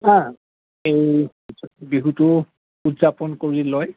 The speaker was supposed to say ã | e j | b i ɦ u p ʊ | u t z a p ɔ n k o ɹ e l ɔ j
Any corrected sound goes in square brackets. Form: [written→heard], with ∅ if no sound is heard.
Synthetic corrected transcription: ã | e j | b i ɦ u [p→t] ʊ | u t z a p ɔ n k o ɹ [e→i] l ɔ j